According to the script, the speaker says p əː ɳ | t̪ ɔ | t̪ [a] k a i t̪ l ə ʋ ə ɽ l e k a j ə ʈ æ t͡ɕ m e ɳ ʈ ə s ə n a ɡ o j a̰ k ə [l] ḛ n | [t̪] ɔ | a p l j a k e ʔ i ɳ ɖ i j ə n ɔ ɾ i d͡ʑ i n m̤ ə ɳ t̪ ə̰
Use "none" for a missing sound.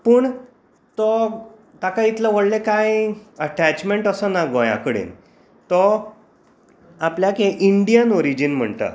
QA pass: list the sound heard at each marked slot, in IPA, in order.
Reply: a, ɽ, t̪

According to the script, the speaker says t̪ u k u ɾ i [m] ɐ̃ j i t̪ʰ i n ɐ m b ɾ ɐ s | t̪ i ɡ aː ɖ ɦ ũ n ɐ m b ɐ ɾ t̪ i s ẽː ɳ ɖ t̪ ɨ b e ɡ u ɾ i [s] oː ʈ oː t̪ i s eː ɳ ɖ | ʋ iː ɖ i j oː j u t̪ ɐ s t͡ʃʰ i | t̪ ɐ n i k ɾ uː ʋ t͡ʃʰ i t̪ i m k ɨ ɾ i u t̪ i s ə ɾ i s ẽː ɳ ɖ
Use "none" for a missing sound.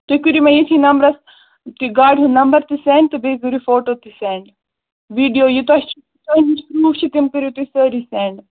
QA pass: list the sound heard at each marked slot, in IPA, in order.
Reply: m, f

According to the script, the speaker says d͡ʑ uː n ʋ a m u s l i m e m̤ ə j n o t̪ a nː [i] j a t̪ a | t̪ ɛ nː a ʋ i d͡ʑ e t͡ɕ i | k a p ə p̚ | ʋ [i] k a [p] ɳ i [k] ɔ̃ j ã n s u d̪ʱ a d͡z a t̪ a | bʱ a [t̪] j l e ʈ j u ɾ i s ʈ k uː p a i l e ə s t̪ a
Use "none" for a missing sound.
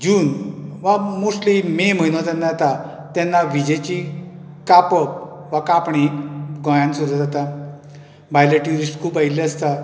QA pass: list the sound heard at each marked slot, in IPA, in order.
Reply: a, a, p, ɡ, none

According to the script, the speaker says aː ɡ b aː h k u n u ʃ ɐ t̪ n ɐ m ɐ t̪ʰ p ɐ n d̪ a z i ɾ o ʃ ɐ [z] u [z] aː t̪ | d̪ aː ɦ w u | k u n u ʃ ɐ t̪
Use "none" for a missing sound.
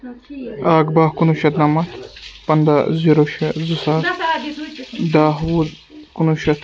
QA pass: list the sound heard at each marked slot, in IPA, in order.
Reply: z, s

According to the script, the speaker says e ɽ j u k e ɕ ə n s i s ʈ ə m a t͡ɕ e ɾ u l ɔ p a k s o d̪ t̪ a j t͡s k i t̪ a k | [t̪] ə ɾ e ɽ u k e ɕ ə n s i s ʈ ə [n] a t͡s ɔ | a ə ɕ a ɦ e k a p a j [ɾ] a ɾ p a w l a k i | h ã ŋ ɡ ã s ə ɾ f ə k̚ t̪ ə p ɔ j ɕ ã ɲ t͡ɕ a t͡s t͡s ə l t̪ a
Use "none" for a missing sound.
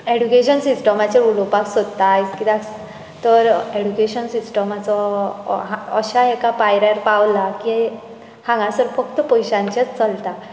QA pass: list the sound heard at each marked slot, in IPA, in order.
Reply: t̪, m, ɾ

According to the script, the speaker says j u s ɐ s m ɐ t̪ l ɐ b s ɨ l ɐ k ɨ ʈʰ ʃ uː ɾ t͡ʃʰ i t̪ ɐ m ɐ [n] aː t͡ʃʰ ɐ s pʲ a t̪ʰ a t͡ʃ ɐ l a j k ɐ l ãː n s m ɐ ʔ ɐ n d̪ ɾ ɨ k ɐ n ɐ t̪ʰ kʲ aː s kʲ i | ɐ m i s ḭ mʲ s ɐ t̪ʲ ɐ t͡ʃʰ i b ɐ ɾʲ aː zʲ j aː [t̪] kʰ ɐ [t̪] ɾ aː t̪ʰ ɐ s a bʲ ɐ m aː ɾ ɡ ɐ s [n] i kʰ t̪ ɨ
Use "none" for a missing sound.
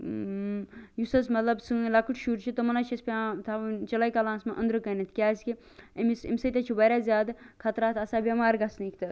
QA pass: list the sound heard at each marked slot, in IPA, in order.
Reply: n, d̪, t̪, n

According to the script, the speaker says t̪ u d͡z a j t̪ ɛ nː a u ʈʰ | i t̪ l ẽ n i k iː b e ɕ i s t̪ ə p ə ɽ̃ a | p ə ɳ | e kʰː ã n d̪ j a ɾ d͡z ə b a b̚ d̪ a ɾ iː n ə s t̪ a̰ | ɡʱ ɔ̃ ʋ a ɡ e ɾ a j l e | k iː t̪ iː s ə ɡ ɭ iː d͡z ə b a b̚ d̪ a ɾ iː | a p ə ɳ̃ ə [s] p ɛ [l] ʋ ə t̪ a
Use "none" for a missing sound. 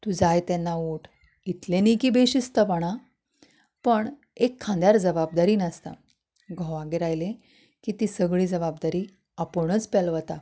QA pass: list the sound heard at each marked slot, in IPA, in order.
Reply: t͡s, l

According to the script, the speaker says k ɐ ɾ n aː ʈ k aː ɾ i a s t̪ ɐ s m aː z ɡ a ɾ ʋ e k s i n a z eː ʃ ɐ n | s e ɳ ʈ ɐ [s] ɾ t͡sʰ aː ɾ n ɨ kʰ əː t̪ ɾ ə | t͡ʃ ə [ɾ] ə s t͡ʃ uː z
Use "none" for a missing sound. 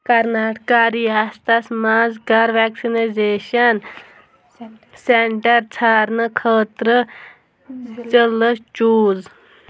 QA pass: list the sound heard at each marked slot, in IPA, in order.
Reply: none, l

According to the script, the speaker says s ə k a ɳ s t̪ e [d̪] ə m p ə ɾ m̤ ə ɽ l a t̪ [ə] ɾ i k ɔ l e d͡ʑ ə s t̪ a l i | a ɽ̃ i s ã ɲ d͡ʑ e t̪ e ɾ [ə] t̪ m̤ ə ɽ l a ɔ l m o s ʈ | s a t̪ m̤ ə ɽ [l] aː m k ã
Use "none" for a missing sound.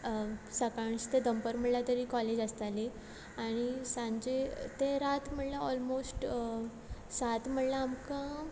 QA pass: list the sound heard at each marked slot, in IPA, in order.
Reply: d̪, ə, a, l

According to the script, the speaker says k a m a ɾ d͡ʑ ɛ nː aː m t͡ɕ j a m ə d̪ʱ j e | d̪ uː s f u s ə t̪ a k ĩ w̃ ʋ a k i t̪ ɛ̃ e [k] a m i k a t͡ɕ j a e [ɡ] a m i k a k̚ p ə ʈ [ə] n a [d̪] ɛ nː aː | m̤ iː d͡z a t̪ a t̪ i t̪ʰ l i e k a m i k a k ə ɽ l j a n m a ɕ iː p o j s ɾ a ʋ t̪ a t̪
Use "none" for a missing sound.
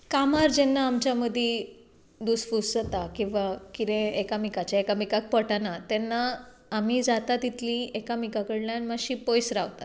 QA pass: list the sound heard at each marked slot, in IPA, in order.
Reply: k, k, a, t̪

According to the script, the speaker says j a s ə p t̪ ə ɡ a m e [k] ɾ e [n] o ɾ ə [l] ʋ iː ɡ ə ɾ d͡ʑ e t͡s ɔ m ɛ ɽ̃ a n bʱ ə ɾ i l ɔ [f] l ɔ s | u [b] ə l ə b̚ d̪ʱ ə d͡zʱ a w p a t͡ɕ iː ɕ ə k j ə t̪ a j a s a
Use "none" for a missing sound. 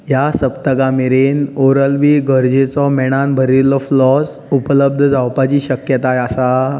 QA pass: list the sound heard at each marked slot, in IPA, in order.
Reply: none, n, l, f, p

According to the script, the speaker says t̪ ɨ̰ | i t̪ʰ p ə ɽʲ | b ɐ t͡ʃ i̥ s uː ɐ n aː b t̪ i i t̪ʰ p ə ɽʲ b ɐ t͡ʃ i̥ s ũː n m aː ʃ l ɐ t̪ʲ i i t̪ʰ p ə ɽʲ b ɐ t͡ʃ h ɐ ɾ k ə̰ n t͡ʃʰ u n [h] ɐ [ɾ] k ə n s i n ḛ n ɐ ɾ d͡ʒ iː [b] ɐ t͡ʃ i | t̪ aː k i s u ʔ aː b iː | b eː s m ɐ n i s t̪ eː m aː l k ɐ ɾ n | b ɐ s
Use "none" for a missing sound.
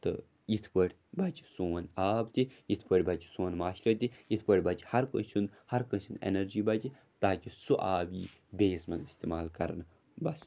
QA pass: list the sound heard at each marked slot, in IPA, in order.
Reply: h, ɾ, b

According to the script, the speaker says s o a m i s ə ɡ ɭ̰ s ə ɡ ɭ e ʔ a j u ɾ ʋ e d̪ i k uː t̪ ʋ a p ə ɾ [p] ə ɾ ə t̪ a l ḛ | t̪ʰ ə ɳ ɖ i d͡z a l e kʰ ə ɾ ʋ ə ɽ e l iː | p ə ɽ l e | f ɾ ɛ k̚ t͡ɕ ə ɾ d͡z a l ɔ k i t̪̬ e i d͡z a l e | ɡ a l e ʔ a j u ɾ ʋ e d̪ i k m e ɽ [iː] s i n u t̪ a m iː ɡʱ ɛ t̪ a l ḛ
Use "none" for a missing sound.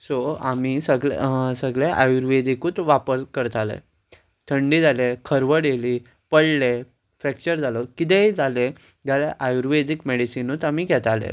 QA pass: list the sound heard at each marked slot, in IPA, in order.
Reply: k, i

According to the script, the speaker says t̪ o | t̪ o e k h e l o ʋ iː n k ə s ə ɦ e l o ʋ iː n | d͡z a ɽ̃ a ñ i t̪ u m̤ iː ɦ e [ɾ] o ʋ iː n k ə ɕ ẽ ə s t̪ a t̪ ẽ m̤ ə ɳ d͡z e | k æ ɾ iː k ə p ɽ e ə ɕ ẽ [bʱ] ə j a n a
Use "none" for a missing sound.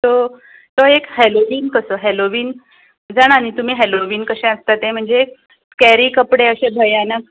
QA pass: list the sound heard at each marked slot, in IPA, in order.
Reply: l, bʱ

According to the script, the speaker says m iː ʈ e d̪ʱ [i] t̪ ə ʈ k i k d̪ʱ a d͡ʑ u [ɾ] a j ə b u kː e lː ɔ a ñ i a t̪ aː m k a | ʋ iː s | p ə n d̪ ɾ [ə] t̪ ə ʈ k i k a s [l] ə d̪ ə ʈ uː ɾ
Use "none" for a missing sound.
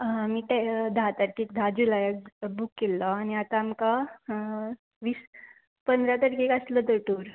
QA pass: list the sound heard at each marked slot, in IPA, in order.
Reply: a, l, a, l

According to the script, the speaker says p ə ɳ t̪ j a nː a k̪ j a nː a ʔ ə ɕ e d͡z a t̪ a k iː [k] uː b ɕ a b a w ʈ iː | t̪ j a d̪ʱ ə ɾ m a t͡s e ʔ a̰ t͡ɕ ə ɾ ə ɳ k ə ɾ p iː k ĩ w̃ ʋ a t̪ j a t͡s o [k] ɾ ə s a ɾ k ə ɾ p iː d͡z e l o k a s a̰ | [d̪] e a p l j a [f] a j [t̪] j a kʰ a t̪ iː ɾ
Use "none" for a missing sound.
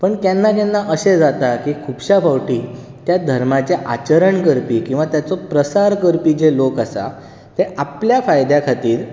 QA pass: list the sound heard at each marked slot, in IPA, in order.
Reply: kʰ, p, t̪, f, d̪

